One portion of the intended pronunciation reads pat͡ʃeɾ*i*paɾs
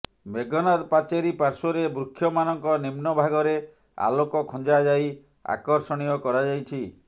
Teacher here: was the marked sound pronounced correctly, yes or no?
yes